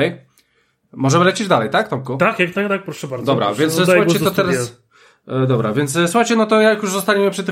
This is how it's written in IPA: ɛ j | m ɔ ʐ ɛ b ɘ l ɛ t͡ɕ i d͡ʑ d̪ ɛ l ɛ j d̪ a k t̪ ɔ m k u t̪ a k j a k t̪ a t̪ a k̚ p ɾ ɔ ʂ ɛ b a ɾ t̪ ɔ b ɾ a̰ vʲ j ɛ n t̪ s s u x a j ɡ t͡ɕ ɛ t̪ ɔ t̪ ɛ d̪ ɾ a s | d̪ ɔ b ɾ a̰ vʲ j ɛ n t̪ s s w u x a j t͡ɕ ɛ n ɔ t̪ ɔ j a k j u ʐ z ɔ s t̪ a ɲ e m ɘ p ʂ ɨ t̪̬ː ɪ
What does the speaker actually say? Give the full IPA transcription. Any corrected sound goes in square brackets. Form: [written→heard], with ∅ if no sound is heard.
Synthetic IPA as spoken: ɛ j | m ɔ ʐ ɛ [b→m] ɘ l ɛ t͡ɕ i d͡ʑ d̪ [ɛ→a] l ɛ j [d̪→t̪] a k t̪ ɔ m k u t̪ a k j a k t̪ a t̪ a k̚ p ɾ ɔ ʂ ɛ b a ɾ [t̪→d̪] ɔ b ɾ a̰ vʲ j ɛ n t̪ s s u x a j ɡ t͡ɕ ɛ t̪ ɔ t̪ ɛ [d̪→∅] ɾ a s | d̪ ɔ b ɾ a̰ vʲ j ɛ n t̪ s s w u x a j t͡ɕ ɛ n ɔ t̪ ɔ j a k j u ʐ z ɔ s t̪ a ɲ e m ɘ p ʂ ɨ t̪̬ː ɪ